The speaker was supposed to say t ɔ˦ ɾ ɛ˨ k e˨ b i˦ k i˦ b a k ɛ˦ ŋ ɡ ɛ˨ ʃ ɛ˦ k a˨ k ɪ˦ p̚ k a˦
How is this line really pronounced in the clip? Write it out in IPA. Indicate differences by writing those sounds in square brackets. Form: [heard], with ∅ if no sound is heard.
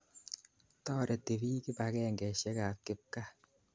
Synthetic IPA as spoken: t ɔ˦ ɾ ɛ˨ [t] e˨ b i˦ k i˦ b a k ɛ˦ ŋ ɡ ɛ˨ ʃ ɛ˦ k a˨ k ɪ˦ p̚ k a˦